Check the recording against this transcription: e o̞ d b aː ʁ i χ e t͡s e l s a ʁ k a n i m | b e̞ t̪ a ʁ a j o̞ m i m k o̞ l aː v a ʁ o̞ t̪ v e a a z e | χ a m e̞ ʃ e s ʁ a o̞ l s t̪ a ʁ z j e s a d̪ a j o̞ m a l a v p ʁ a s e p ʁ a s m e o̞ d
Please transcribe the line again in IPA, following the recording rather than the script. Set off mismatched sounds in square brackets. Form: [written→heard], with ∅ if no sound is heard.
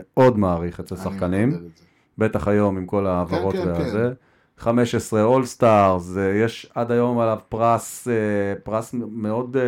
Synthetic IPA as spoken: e o̞ d [b→m] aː ʁ i χ e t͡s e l s a [ʁ→χ] k a n i m | b e̞ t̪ a [ʁ→χ] a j o̞ m i m k o̞ l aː v a ʁ o̞ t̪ v e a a z e | χ a m e̞ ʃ e s ʁ [a→e] o̞ l s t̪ a ʁ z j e [s→ʃ] a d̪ a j o̞ m a l a v p ʁ a s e p ʁ a s m e o̞ d